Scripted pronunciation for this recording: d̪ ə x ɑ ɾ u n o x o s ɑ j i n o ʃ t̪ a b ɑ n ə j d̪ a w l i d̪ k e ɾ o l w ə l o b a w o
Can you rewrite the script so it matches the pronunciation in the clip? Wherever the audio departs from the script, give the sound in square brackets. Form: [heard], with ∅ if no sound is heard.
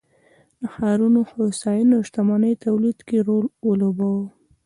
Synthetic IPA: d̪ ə x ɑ ɾ u n o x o s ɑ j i n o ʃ t̪ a [m] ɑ n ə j [t̪] a w l i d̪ k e ɾ o l w ə l o b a w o